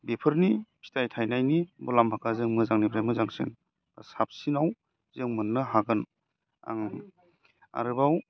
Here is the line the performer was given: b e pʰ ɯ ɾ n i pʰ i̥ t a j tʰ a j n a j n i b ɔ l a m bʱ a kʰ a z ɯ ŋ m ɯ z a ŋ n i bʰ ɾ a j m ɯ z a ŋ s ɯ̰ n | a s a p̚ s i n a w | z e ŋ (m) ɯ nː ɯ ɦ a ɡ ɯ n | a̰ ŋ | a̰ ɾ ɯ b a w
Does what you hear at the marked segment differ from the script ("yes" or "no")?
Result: no